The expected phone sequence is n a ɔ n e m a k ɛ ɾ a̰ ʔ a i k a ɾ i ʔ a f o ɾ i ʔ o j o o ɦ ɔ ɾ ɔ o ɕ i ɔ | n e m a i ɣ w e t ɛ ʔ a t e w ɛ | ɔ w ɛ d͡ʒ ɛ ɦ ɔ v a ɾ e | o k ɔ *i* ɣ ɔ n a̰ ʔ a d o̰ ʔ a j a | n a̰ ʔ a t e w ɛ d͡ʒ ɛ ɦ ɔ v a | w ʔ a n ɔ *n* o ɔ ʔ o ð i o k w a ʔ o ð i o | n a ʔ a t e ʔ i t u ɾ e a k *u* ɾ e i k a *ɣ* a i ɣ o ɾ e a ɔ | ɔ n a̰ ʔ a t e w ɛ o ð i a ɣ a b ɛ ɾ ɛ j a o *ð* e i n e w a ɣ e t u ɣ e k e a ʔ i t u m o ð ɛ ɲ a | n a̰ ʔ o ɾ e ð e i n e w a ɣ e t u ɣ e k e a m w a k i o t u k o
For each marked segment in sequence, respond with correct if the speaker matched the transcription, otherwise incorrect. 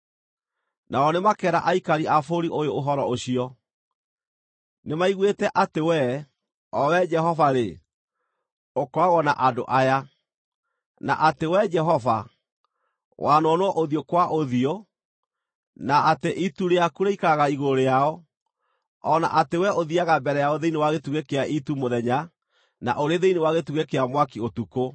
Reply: incorrect: a, correct, correct, correct, correct

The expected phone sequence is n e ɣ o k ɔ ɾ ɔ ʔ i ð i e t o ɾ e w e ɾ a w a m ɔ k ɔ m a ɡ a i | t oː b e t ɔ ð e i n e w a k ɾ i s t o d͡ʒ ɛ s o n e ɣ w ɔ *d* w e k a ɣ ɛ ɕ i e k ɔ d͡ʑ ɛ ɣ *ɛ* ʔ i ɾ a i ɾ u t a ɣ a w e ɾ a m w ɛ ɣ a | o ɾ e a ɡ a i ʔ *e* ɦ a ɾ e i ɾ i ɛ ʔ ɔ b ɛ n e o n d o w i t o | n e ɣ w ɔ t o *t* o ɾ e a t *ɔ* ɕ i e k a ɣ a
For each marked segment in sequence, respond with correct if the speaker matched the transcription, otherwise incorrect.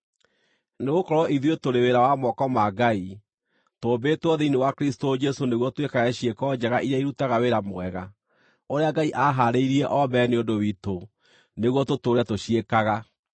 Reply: incorrect: t, incorrect: a, incorrect: a, correct, incorrect: o

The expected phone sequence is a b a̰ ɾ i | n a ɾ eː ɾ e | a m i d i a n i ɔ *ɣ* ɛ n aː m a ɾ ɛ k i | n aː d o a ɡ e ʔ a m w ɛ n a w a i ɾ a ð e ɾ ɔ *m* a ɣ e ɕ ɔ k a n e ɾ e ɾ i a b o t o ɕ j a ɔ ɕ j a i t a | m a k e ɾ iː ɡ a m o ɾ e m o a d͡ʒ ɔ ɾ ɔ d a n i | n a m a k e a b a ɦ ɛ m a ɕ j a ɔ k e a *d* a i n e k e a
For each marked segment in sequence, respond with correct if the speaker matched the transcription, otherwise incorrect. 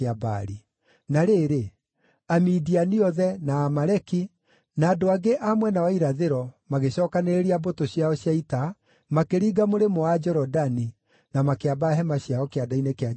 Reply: incorrect: ð, correct, correct

